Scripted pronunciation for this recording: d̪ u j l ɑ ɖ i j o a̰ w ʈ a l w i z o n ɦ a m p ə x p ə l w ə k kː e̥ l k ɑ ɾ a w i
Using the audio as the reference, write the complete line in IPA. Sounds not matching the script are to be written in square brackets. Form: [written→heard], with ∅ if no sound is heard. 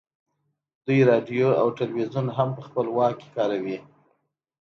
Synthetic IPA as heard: d̪ u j [l→ɾ] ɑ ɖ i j o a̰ w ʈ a l w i z [o→u] n ɦ a m p ə x p ə l w [ə→ɑ] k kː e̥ [l→∅] k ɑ ɾ a w i